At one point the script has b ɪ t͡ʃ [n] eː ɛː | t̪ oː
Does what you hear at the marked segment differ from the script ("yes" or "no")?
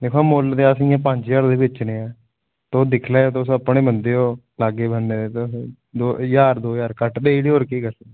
no